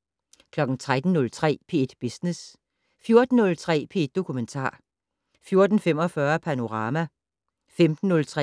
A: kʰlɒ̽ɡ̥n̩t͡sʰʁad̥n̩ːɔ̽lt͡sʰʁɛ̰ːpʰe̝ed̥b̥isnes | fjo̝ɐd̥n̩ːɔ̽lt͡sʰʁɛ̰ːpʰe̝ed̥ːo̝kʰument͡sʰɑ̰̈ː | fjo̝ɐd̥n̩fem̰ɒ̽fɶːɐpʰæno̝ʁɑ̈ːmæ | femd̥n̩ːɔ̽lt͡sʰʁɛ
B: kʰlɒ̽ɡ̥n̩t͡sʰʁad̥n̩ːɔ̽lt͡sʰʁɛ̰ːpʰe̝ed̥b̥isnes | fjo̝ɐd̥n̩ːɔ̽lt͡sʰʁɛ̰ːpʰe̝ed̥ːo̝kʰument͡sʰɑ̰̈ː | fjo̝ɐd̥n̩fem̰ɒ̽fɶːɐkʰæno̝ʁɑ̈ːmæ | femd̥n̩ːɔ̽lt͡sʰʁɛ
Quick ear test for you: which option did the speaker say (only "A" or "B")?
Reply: A